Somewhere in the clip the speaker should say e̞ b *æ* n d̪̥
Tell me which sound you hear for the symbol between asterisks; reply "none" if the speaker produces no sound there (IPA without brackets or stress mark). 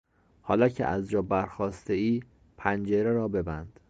æ